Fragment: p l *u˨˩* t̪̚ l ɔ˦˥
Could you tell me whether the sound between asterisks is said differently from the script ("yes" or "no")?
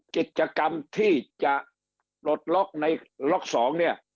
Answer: yes